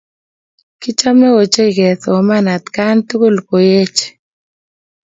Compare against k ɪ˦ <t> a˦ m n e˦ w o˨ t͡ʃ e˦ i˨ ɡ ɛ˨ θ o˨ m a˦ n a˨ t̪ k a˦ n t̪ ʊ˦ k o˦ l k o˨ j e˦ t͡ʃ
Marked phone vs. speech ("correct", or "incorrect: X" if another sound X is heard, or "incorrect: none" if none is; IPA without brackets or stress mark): incorrect: t͡ʃ